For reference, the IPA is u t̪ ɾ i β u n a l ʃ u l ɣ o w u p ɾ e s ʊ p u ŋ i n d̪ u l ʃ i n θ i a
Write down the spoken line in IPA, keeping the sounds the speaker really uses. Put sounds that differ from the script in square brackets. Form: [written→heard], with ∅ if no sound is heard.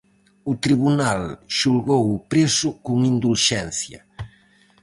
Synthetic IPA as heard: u t̪ ɾ i β u n a l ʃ u l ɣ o w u p ɾ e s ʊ [p→k] u ŋ i n d̪ u l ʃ [i→ɛ] n θ [i→j] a